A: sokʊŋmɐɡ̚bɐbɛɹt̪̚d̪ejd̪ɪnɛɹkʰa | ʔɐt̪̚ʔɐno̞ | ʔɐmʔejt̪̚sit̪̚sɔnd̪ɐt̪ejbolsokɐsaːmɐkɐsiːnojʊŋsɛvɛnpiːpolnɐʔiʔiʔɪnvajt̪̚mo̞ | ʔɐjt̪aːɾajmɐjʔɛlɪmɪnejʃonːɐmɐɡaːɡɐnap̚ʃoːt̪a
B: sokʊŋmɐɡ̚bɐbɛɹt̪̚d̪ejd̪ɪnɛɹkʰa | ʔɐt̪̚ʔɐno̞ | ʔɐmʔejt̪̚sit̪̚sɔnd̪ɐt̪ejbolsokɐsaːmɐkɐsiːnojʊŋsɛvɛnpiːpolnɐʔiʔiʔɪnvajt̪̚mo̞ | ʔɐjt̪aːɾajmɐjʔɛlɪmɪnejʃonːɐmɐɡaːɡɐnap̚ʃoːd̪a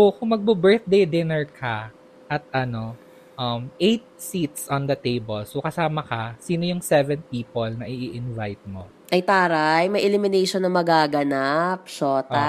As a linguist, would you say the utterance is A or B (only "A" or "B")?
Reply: A